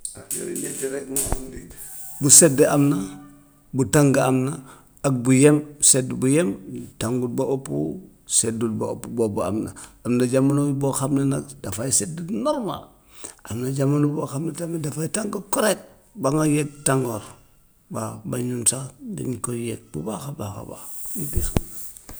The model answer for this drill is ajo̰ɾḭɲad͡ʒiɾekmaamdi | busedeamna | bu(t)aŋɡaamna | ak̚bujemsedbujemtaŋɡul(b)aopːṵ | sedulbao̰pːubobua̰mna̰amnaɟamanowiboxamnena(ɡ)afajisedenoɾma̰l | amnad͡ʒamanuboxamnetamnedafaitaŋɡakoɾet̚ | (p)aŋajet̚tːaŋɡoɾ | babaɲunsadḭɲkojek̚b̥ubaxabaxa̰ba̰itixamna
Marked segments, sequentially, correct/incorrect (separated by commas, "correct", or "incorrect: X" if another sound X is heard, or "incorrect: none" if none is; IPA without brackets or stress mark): correct, correct, incorrect: d, incorrect: b